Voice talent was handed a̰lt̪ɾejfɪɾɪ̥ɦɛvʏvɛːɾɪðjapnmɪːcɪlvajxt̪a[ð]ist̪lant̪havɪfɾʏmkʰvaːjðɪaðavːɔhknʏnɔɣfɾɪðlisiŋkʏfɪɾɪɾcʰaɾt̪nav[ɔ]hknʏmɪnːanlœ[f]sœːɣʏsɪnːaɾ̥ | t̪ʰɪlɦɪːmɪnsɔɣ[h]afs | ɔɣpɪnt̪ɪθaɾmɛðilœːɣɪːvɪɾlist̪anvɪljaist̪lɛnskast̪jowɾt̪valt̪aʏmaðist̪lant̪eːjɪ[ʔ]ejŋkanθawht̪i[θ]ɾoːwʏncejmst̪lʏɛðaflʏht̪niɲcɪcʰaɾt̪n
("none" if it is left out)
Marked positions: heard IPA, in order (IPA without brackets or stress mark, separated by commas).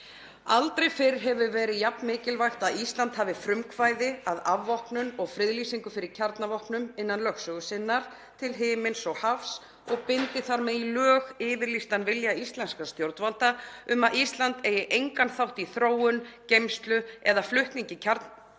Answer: ð, ɔ, x, h, ʔ, θ